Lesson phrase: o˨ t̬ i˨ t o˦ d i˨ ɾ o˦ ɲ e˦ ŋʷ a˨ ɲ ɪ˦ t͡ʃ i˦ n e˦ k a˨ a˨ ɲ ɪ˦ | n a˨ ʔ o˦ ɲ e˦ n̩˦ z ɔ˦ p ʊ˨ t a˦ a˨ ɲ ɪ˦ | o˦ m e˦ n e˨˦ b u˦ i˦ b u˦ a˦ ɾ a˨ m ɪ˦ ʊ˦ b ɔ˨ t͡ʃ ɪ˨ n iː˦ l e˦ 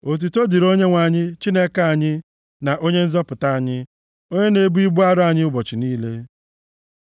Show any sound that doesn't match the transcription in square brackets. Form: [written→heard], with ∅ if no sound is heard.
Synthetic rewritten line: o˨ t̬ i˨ t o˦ d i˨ ɾ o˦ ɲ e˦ ŋʷ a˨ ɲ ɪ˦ t͡ʃ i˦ n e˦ k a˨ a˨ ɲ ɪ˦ | n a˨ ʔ o˦ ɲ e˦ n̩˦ z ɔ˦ p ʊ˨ t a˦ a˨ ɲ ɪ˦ | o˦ [m→ɲ] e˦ n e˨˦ b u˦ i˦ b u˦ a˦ ɾ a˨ [m→ɲ] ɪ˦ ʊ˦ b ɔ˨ t͡ʃ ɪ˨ n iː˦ l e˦